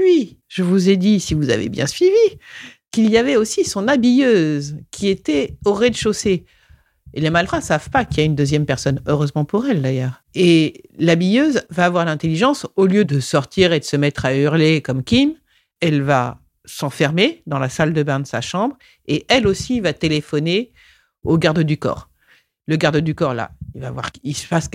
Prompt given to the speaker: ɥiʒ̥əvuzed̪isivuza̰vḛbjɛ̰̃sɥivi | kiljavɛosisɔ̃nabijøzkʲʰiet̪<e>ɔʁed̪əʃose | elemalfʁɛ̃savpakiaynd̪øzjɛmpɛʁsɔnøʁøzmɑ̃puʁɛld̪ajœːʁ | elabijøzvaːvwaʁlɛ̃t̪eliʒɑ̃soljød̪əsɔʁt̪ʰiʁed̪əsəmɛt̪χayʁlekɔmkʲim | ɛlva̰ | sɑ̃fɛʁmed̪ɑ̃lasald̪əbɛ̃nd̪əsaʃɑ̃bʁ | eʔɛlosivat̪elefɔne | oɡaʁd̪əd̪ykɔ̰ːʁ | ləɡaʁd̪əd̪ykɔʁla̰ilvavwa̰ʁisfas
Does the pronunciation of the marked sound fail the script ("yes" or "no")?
yes